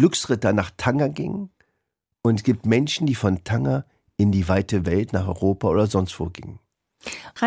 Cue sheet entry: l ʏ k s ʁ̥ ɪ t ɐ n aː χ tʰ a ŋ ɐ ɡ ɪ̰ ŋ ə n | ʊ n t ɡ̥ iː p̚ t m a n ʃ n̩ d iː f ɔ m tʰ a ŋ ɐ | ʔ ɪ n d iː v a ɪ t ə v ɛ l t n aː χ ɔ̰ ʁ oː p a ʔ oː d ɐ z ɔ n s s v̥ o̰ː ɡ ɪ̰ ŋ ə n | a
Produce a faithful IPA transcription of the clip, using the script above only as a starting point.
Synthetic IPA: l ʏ k s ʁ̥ ɪ t ɐ n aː χ tʰ a ŋ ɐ ɡ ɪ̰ ŋ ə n | ʊ n t ɡ̥ iː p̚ t m ɛ n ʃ n̩ d iː f ɔ n tʰ a ŋ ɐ | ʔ ɪ n d iː v a ɪ t ə v ɛ l t n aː χ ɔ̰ ʁ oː p a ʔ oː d ɐ z ɔ n s t v̥ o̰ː ɡ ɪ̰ ŋ ə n | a